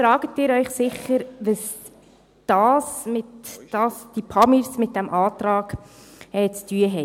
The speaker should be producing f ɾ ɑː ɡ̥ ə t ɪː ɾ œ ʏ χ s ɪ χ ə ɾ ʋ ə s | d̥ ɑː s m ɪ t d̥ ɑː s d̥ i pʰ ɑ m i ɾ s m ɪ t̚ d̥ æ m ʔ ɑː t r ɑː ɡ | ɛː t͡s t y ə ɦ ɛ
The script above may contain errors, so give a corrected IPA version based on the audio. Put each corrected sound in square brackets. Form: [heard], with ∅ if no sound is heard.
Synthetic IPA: f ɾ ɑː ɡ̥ ə t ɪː ɾ œ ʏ χ s ɪ χ ə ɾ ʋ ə s | d̥ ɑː s m ɪ t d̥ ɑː s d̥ i pʰ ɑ m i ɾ s m ɪ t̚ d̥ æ m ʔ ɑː t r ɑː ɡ | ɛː t͡s t y ə ɦ ɛ